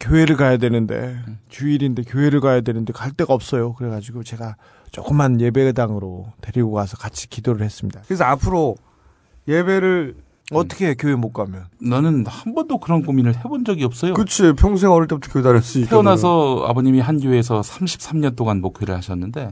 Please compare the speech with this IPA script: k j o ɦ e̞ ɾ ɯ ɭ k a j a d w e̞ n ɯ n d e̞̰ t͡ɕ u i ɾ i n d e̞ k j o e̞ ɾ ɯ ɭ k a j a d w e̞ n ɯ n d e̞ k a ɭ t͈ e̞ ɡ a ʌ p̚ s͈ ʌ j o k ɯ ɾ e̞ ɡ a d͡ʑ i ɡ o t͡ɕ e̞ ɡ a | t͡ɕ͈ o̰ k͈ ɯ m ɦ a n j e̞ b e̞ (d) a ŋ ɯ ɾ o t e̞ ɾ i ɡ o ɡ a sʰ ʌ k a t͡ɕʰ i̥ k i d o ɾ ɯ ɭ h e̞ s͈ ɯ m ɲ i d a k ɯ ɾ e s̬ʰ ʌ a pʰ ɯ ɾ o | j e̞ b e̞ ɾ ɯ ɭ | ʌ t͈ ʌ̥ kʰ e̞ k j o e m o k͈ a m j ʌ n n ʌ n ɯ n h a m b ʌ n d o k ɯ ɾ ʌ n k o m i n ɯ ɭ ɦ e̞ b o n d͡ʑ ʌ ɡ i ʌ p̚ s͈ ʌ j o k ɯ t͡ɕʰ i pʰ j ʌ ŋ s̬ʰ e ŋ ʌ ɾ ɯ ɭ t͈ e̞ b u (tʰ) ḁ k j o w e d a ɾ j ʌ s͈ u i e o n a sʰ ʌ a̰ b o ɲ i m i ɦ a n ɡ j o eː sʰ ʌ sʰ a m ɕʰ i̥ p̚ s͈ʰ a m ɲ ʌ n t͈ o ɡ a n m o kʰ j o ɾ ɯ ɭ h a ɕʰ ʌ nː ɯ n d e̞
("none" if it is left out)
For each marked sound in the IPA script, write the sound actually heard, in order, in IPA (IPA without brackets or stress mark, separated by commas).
d, tʰ